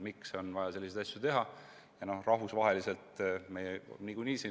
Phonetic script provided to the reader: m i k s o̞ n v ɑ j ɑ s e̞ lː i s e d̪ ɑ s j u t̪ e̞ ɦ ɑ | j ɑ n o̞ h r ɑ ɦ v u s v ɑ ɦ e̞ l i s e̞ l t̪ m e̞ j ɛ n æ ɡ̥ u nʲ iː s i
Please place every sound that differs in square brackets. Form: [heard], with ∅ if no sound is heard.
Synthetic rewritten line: m i k s o̞ n v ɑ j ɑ s e̞ lː i s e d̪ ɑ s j u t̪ e̞ ɦ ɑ | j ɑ n o̞ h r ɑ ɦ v u s v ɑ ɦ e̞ l i s e̞ l t̪ m e̞ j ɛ n [i] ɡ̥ u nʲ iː s i